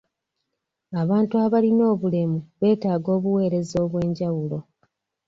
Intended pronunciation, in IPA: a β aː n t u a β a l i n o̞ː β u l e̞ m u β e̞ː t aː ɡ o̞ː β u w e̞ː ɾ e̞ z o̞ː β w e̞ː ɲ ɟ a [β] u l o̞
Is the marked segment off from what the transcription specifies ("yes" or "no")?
yes